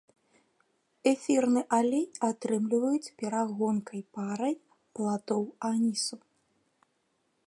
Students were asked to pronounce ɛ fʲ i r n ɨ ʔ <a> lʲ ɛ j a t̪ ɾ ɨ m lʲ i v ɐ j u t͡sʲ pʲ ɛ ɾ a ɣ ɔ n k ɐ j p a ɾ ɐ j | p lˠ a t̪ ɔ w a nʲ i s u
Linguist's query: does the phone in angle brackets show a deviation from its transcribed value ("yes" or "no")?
no